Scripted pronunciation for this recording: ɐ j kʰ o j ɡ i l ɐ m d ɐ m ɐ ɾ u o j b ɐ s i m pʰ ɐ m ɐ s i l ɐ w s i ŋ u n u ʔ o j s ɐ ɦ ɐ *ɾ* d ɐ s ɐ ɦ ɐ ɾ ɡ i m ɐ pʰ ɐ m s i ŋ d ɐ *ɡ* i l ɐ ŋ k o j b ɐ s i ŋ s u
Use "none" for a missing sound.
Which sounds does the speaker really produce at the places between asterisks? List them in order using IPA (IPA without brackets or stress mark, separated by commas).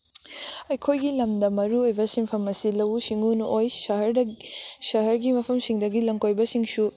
ɾ, ɡ